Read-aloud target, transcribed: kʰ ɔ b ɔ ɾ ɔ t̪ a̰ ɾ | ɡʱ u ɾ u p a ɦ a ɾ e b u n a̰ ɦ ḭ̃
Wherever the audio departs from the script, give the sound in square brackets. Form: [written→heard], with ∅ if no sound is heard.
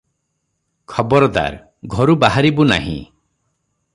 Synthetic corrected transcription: kʰ ɔ b ɔ ɾ ɔ [t̪→d̪] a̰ ɾ | ɡʱ [u→ɔ] ɾ u [p→b] a ɦ a ɾ [e→i] b u n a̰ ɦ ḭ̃